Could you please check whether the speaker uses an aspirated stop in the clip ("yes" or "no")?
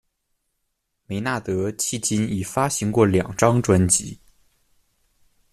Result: yes